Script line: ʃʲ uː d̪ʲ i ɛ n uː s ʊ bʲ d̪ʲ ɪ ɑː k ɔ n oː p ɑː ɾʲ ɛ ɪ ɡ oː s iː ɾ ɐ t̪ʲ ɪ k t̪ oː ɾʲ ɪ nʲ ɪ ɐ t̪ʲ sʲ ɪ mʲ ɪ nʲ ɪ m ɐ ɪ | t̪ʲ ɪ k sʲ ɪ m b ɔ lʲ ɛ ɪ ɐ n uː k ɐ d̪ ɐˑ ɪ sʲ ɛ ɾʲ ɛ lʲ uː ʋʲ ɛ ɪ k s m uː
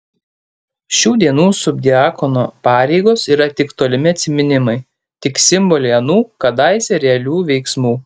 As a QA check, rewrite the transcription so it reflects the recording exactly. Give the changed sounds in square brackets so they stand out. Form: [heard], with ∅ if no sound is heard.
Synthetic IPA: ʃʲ uː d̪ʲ i ɛ n uː s ʊ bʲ d̪ʲ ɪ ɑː k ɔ n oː p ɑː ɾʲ ɛ ɪ ɡ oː s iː ɾ ɐ t̪ʲ ɪ k t̪ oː [lʲ] ɪ [mʲ] ɪ ɐ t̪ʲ sʲ ɪ mʲ ɪ nʲ ɪ m ɐ ɪ | t̪ʲ ɪ k sʲ ɪ m b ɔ lʲ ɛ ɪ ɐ n uː k ɐ d̪ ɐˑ ɪ sʲ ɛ ɾʲ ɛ lʲ uː ʋʲ ɛ ɪ k s m uː

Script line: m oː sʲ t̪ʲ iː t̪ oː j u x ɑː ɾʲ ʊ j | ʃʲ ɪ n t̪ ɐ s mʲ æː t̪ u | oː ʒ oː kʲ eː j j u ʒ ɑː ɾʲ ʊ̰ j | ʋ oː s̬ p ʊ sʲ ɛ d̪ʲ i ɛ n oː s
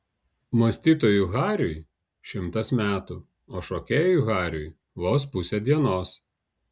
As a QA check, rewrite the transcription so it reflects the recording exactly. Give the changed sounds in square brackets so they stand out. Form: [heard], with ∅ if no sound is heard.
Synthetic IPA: m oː sʲ t̪ʲ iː t̪ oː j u [ɣ] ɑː ɾʲ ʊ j | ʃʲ ɪ [m] t̪ ɐ s mʲ æː t̪ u | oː [ʃ] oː kʲ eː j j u [ɣ] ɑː ɾʲ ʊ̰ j | ʋ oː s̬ p ʊ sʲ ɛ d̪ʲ i ɛ n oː s

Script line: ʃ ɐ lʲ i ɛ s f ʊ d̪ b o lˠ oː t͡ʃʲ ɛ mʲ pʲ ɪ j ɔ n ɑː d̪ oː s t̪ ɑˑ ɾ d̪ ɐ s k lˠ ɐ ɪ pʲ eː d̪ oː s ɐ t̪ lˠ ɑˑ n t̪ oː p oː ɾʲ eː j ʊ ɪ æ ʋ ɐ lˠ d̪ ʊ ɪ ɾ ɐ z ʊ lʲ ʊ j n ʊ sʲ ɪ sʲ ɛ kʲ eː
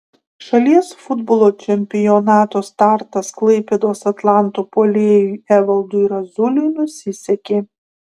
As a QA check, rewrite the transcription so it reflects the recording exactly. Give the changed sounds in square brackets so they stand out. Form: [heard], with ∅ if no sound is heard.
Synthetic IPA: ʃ ɐ lʲ i ɛ s f ʊ d̪ b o lˠ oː t͡ʃʲ ɛ mʲ pʲ ɪ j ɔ n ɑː [t̪] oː s t̪ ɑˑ ɾ [t̪] ɐ s k lˠ ɐ ɪ pʲ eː d̪ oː s ɐ t̪ lˠ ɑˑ n t̪ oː p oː [lʲ] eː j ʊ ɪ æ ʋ ɐ lˠ d̪ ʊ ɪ ɾ ɐ z ʊ lʲ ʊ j n ʊ sʲ ɪ sʲ ɛ kʲ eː

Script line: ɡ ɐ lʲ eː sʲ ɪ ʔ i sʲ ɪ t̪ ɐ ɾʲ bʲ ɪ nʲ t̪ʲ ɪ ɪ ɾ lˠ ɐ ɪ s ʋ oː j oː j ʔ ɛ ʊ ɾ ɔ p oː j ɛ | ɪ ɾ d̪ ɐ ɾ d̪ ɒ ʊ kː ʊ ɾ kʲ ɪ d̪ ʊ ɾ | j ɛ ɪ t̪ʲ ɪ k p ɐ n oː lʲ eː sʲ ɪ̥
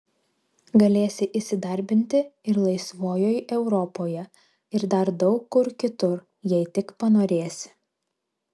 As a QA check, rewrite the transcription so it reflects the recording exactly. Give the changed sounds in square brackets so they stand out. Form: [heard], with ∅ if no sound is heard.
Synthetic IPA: ɡ ɐ lʲ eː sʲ ɪ ʔ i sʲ ɪ [d̪] ɐ ɾʲ bʲ ɪ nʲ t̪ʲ ɪ ɪ ɾ lˠ ɐ ɪ s ʋ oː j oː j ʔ ɛ ʊ ɾ ɔ p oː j ɛ | ɪ ɾ d̪ ɐ ɾ d̪ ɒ ʊ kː ʊ ɾ kʲ ɪ [t̪] ʊ ɾ | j ɛ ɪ t̪ʲ ɪ k p ɐ n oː [ɾʲ] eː sʲ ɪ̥

